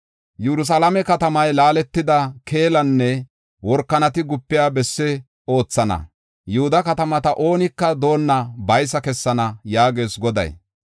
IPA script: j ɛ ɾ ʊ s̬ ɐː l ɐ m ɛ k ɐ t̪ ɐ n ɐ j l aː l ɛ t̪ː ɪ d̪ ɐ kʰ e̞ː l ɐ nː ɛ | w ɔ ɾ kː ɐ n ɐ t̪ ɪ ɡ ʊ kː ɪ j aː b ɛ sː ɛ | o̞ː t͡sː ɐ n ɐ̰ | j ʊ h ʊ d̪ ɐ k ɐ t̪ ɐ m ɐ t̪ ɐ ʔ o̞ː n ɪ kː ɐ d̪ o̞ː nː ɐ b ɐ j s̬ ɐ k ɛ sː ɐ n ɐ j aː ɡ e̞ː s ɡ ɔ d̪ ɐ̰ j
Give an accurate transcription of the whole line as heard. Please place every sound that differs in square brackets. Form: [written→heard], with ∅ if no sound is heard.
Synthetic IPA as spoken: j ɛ ɾ ʊ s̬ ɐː l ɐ m ɛ k ɐ t̪ ɐ [n→m] ɐ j l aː l ɛ t̪ː ɪ d̪ ɐ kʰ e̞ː l ɐ nː ɛ | w ɔ ɾ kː ɐ n ɐ t̪ ɪ ɡ ʊ [kː→pː] ɪ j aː b ɛ sː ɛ | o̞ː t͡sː ɐ n ɐ̰ | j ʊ h ʊ d̪ ɐ k ɐ t̪ ɐ m ɐ t̪ ɐ ʔ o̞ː n ɪ kː ɐ d̪ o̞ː nː ɐ b ɐ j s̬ ɐ k ɛ sː ɐ n ɐ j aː ɡ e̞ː s ɡ ɔ d̪ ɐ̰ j